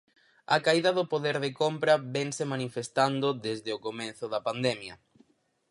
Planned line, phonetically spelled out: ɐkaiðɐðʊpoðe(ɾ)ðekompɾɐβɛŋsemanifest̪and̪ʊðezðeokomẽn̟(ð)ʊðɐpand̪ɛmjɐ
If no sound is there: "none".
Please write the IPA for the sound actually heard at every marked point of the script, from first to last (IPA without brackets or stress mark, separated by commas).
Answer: ɾ, θ